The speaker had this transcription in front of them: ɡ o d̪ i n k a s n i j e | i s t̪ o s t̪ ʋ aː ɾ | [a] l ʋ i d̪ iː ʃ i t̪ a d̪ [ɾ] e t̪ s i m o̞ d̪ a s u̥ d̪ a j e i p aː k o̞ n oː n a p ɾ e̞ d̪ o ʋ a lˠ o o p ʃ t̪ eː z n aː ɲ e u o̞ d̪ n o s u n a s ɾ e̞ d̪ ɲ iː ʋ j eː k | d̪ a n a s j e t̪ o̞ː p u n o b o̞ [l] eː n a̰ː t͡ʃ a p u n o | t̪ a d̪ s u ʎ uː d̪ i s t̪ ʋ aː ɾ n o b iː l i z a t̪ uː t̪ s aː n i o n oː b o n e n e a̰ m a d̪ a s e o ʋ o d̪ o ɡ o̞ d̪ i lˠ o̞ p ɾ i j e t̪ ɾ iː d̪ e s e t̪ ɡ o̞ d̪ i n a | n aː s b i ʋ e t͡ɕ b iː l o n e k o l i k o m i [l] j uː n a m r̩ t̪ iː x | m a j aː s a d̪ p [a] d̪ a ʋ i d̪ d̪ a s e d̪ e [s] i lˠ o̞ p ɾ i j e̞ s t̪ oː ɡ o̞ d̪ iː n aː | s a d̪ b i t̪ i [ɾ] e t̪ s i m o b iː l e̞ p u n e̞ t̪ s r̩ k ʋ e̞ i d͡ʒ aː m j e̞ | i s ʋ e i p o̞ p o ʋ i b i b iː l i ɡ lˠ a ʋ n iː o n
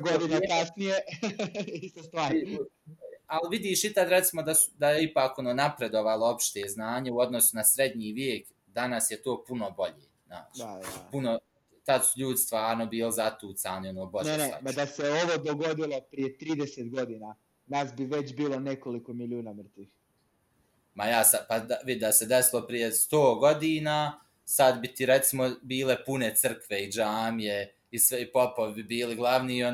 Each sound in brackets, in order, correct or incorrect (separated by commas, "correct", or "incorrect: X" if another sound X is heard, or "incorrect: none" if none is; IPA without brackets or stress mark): correct, correct, incorrect: ʎ, correct, correct, correct, correct